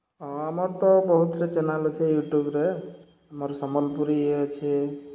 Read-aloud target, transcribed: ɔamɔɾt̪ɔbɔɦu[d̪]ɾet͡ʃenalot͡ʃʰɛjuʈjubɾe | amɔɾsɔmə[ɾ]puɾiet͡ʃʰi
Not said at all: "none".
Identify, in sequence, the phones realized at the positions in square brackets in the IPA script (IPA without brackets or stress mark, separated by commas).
t̪, l